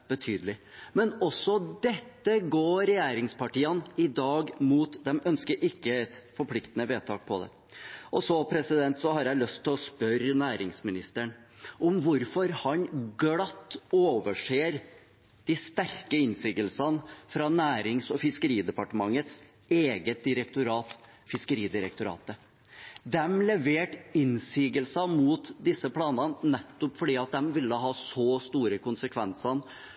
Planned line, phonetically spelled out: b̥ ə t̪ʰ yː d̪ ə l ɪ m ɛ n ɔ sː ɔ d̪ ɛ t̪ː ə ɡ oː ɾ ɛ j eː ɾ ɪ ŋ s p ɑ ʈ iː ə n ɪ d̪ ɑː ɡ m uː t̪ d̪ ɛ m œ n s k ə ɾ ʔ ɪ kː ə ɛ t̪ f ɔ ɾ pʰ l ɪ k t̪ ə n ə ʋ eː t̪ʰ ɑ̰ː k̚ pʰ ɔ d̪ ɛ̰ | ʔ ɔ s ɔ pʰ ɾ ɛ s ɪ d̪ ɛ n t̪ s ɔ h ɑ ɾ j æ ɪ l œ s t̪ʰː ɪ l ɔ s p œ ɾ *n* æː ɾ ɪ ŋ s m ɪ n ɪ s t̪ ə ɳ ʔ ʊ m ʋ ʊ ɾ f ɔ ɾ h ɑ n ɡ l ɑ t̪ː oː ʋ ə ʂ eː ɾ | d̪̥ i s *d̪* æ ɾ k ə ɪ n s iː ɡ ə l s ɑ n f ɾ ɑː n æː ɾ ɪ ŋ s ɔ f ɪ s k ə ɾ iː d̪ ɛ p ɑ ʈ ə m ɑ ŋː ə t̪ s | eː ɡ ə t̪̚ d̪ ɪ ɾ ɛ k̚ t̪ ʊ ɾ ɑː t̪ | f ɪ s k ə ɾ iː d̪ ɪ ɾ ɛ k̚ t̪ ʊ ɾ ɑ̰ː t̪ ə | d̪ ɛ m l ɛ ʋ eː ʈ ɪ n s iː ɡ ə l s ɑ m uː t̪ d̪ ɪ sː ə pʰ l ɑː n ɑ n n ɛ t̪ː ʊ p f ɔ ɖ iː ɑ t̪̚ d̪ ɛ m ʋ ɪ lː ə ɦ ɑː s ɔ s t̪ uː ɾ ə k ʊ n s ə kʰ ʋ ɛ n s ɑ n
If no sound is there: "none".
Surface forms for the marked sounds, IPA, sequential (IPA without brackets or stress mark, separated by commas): n, t̪